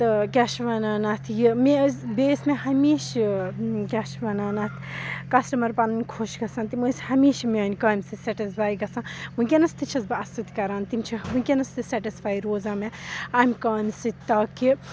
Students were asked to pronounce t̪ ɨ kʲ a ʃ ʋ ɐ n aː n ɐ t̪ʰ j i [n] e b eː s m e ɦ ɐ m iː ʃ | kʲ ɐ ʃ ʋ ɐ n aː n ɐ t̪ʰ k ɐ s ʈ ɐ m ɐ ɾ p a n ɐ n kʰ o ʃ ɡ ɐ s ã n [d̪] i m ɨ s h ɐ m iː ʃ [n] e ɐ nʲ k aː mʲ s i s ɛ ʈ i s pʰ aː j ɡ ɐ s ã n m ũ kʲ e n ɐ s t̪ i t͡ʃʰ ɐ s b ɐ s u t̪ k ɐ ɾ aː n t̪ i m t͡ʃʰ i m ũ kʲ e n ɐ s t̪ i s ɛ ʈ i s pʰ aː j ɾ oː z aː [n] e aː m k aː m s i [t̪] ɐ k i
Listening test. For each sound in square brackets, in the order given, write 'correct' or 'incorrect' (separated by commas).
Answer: incorrect, incorrect, incorrect, incorrect, correct